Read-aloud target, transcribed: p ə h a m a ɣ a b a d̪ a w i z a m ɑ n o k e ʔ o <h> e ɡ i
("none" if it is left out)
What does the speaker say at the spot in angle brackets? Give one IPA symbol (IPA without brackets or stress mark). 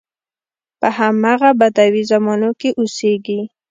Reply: s